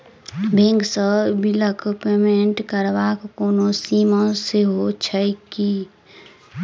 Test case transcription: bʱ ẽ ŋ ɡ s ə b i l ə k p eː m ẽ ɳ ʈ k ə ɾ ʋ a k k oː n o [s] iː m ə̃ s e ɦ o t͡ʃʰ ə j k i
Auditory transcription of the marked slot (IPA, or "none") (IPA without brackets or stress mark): s